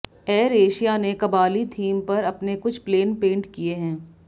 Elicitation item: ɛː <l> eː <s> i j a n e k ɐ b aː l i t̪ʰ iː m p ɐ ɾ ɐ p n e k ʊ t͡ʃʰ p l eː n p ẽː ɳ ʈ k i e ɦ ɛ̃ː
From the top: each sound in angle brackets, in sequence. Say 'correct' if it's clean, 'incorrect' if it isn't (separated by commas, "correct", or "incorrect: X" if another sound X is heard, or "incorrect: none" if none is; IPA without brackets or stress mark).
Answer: incorrect: ɾ, incorrect: ʃ